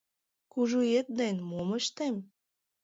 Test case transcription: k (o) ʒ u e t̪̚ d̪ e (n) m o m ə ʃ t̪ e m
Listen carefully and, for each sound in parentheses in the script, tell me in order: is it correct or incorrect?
incorrect, correct

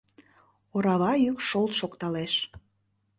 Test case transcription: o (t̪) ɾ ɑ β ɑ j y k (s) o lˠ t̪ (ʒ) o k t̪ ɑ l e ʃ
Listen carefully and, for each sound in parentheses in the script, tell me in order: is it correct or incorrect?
incorrect, incorrect, incorrect

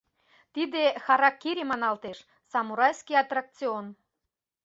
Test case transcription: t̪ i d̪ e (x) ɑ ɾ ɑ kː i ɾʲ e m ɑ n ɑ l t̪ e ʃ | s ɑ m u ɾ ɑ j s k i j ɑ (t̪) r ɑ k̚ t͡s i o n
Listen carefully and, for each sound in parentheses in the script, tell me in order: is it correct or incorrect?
correct, correct

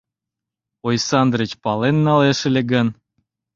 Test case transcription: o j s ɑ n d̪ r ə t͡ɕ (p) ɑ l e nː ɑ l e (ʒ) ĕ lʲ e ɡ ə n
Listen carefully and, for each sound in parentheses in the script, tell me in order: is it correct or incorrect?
correct, incorrect

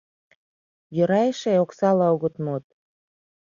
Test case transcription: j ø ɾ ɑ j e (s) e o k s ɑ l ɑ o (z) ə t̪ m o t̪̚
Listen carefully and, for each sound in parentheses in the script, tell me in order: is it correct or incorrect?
incorrect, incorrect

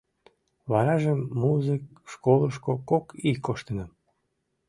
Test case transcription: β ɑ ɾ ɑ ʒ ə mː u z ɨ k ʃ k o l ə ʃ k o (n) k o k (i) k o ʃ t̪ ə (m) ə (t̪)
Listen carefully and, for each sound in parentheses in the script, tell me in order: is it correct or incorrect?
incorrect, correct, incorrect, incorrect

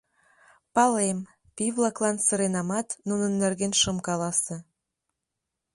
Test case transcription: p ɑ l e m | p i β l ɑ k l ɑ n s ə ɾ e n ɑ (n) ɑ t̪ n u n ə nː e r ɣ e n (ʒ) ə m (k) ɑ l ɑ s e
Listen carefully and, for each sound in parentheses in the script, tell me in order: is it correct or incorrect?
incorrect, incorrect, correct

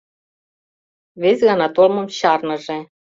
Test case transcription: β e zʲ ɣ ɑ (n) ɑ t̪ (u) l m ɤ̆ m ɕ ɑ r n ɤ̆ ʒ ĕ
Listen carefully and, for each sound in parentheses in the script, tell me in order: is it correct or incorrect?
correct, incorrect

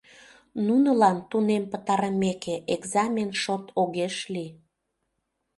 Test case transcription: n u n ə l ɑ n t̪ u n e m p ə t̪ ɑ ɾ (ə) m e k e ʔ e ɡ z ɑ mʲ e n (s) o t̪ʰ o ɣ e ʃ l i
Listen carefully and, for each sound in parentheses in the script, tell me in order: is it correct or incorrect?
correct, incorrect

